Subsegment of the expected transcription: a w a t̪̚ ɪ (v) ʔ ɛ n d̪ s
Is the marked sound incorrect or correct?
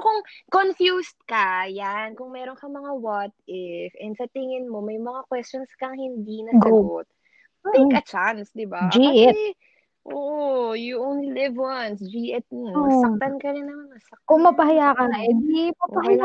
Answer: incorrect